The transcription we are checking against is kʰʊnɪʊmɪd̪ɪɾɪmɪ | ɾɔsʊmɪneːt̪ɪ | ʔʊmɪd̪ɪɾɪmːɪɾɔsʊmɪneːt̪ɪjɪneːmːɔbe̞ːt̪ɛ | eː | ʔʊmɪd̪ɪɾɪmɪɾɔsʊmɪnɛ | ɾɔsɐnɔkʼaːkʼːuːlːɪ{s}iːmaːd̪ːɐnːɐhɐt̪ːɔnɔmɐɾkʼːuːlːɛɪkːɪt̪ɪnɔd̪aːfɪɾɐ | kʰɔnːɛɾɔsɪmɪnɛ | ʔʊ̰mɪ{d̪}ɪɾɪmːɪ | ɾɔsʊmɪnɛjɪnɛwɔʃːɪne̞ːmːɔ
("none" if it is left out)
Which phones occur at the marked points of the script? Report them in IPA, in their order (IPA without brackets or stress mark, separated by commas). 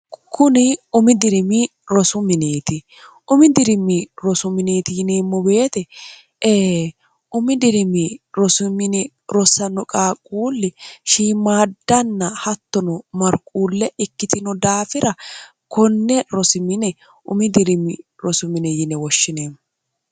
ʃ, d̪